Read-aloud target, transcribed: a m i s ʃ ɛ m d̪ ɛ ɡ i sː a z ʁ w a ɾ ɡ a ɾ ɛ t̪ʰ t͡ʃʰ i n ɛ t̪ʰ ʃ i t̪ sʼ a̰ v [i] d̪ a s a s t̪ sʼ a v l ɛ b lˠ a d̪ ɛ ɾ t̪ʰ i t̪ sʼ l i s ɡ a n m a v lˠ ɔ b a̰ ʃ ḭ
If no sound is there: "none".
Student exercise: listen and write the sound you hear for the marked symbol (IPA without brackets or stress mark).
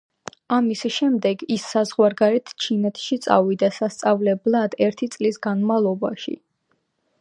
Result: i